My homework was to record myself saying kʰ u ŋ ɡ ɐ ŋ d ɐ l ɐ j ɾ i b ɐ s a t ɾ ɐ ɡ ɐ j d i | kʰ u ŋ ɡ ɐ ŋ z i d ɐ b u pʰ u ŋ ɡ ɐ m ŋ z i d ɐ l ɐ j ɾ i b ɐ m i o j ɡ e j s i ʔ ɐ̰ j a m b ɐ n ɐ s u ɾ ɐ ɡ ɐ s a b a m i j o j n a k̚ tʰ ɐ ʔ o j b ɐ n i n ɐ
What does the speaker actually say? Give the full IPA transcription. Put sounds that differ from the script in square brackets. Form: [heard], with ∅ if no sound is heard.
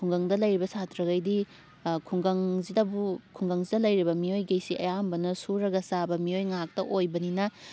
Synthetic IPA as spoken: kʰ u ŋ ɡ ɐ ŋ d ɐ l ɐ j ɾ i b ɐ s a t ɾ ɐ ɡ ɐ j d i | kʰ u ŋ ɡ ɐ ŋ z i d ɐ b u [kʰ] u ŋ ɡ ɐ [∅] ŋ z i d ɐ l ɐ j ɾ i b ɐ m i o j ɡ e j s i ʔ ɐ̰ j a m b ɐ n ɐ s u ɾ ɐ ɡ ɐ s a b [ɐ] m i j o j [ŋ] a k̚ [t] ɐ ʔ o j b ɐ n i n ɐ

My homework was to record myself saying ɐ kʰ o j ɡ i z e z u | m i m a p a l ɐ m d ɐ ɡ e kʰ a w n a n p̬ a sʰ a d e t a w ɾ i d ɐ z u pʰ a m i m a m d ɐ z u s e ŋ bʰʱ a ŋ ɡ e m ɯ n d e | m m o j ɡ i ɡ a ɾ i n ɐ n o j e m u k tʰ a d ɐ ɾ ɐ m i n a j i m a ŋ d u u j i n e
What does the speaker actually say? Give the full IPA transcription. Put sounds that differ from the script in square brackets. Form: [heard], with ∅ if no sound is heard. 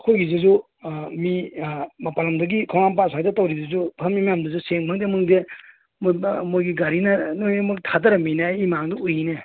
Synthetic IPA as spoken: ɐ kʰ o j ɡ i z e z u | m i m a p a l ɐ m d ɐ ɡ [i] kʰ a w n a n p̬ a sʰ a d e t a w ɾ i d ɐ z u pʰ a m i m a m d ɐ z u s e ŋ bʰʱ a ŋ [d] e m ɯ [ŋ] d e | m m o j ɡ i ɡ a ɾ i n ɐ n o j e m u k tʰ a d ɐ ɾ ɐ m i n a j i m a ŋ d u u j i n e

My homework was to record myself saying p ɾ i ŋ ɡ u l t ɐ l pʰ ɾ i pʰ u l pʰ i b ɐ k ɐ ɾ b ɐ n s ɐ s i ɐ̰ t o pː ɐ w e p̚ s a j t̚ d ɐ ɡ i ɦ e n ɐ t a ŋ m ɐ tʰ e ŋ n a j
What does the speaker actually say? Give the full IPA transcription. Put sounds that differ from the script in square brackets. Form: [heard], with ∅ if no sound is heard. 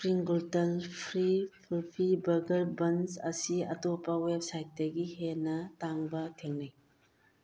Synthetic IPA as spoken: p ɾ i ŋ ɡ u l t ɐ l pʰ ɾ i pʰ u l pʰ i b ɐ [ɡ] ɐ ɾ b ɐ n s ɐ s i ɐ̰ t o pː ɐ w e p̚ s a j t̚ d ɐ ɡ i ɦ e n ɐ t a ŋ [b] ɐ tʰ e ŋ n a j

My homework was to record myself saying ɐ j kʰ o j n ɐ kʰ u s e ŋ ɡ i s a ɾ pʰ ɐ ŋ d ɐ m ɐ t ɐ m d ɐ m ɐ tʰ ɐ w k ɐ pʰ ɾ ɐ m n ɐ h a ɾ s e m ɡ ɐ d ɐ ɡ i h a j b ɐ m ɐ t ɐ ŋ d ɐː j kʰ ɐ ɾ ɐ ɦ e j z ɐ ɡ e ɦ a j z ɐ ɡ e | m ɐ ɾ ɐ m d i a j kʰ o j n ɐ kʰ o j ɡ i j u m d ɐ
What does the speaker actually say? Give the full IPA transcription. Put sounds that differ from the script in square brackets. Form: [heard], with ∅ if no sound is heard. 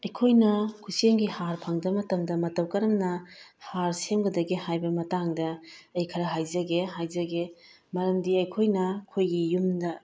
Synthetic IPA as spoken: ɐ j kʰ o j n ɐ kʰ u s e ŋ ɡ i [h] a ɾ pʰ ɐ ŋ d ɐ m ɐ t ɐ m d ɐ m ɐ [t] ɐ w k ɐ [∅] ɾ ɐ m n ɐ h a ɾ s e m ɡ ɐ d ɐ ɡ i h a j b ɐ m ɐ t [a] ŋ d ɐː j kʰ ɐ ɾ ɐ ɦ [a] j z ɐ ɡ e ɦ a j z ɐ ɡ e | m ɐ ɾ ɐ m d i [ɐ] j kʰ o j n ɐ kʰ o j ɡ i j u m d ɐ

